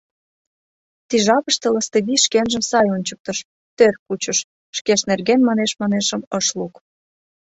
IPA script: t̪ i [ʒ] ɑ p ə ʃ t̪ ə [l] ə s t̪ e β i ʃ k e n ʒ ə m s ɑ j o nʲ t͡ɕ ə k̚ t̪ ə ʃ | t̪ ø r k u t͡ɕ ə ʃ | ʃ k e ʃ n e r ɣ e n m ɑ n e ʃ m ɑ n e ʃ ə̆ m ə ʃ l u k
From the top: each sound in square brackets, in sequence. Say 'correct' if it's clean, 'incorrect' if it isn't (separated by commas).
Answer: correct, correct